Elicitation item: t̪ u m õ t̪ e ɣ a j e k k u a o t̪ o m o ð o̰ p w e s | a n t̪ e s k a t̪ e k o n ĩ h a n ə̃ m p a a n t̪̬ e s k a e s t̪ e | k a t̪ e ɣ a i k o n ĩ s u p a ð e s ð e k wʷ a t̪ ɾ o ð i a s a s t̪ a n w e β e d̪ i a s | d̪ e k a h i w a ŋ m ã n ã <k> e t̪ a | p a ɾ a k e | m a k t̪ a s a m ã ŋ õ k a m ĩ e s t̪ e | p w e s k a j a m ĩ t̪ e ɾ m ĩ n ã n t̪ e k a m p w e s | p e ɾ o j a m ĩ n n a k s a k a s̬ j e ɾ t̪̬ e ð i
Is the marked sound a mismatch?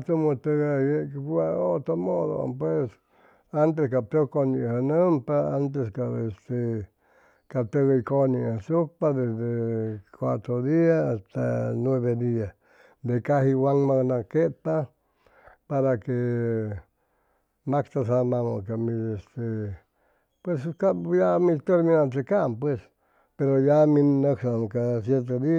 no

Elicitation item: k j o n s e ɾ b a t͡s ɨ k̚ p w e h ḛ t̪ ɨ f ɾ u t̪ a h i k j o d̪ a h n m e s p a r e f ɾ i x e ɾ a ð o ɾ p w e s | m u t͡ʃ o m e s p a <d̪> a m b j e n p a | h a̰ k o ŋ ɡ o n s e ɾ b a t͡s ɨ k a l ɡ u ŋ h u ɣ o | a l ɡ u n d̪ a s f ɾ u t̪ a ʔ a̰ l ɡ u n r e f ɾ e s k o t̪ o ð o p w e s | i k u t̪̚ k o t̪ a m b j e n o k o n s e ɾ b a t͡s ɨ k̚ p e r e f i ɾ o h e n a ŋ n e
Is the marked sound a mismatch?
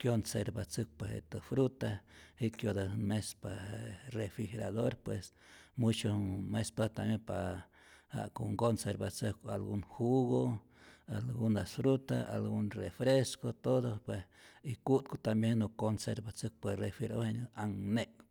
yes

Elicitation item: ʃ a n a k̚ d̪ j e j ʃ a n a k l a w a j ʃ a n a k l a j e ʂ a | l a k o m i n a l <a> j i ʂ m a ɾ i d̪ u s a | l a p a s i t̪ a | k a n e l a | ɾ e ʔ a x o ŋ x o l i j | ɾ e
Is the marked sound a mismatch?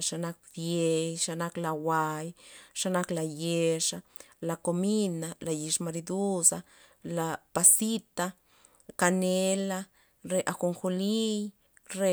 no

